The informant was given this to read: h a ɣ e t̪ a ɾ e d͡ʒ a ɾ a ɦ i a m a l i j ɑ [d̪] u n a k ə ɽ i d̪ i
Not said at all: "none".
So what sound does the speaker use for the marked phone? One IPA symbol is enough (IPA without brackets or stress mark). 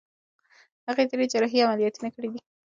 t̪